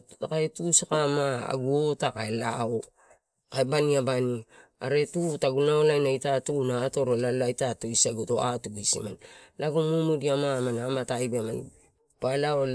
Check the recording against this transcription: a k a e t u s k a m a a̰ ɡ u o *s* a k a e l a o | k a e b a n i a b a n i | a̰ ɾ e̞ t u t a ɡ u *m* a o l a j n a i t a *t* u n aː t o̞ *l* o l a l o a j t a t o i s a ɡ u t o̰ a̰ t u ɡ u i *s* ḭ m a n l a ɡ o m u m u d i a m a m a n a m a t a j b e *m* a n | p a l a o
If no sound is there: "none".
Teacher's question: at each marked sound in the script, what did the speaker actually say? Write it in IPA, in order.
t, n, t, ɾ, s, m

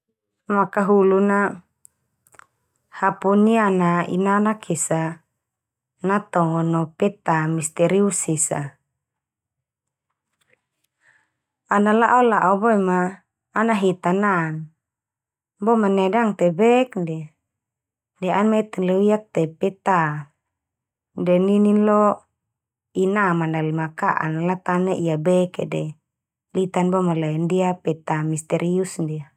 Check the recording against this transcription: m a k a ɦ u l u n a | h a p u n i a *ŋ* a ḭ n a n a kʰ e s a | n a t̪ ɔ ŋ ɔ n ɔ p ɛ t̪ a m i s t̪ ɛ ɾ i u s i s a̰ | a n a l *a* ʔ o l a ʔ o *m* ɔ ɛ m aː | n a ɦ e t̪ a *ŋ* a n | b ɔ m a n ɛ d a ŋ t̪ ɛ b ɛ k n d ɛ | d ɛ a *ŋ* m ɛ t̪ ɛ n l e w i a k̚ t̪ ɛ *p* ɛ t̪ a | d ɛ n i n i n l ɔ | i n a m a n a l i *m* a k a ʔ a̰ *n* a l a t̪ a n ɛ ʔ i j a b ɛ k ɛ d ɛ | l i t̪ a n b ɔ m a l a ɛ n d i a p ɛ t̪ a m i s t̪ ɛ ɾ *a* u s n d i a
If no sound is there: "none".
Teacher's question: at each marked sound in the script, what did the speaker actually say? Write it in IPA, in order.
n, a, b, n, n, p, m, n, i

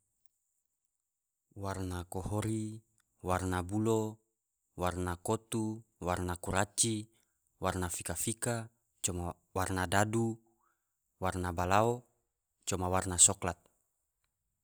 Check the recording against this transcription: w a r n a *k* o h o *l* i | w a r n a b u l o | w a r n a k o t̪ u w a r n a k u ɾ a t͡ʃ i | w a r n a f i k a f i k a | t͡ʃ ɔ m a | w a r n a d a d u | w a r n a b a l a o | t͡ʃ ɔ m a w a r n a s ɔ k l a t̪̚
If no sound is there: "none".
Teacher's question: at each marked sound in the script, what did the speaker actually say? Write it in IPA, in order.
k, ɾ

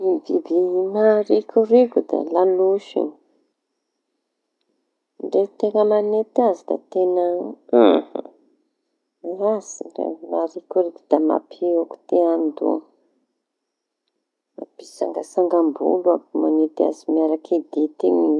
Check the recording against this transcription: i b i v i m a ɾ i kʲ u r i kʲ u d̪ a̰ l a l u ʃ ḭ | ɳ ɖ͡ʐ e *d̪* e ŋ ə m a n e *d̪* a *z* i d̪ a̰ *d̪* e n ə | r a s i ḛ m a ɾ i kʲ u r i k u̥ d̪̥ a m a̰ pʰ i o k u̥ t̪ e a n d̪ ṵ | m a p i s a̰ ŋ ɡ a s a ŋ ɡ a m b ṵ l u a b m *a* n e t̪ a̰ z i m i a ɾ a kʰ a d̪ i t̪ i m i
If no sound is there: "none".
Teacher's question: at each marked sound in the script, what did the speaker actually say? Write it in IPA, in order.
t̪, t̪, z, t̪, a

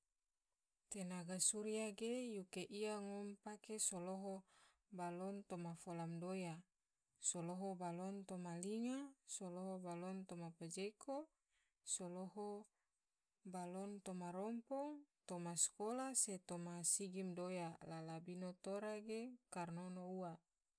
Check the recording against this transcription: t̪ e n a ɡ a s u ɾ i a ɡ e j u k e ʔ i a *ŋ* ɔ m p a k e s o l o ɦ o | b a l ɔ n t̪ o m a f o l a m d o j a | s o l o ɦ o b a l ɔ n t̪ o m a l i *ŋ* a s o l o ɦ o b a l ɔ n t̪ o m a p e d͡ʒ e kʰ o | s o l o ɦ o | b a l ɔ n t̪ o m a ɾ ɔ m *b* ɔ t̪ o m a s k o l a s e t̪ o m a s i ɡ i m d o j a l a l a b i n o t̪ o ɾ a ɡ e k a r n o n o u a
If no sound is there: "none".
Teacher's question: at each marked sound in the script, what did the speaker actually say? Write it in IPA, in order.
ŋ, ŋ, p

